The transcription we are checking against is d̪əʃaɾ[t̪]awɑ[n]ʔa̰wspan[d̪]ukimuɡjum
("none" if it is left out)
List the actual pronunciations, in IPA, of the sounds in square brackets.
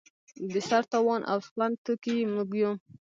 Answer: t̪, n, t̪

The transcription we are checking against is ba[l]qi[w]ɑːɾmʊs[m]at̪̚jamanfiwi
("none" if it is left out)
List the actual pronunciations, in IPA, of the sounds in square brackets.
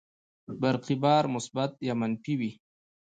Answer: ɾ, b, b

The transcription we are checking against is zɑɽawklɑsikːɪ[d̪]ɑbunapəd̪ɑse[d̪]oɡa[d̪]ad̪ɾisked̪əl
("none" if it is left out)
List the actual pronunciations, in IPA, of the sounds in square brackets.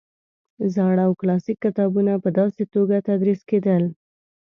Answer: t̪, t̪, t̪

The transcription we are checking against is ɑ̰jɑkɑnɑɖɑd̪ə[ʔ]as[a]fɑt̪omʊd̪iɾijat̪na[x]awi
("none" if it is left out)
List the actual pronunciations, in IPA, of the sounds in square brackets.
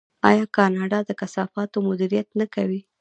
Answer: k, ɑ, k

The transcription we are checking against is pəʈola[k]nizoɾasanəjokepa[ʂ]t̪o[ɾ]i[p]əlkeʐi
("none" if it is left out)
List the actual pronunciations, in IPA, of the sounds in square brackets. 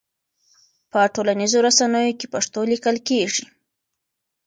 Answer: none, ʂ, l, k

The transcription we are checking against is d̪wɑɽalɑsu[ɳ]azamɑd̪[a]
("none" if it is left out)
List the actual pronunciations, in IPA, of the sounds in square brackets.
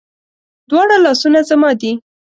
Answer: n, i

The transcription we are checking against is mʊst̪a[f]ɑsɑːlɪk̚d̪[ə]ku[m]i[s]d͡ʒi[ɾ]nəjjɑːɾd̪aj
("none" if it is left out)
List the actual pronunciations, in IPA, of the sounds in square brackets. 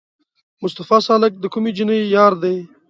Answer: f, ə, m, none, none

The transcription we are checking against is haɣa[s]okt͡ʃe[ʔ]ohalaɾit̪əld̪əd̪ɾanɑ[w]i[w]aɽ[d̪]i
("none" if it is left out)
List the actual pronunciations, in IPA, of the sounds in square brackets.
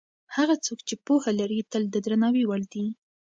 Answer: t͡s, p, w, w, d̪

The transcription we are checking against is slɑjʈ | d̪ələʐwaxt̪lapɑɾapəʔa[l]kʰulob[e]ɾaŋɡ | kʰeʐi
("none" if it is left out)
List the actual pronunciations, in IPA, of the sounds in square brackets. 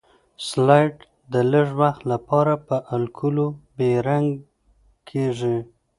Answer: l, e

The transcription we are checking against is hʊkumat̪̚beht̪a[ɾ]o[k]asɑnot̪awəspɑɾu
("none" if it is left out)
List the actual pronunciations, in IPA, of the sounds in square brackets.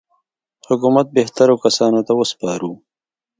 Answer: ɾ, k

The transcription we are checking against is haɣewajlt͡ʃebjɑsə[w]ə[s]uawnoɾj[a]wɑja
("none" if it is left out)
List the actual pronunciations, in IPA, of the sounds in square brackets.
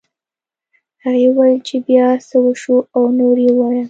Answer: w, ʃ, e

